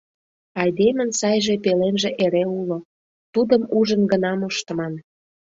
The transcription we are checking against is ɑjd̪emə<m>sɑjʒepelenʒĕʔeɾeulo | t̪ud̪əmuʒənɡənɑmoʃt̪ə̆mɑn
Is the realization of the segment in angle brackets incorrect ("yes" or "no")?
yes